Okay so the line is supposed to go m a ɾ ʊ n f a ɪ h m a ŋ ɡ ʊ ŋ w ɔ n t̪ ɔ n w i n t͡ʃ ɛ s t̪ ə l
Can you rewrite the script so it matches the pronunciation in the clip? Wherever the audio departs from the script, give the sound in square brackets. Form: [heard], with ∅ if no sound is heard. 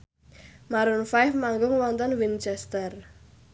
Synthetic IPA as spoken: m a ɾ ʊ n f a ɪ [f] m a ŋ ɡ ʊ ŋ w ɔ n t̪ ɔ n w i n t͡ʃ ɛ s t̪ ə [r]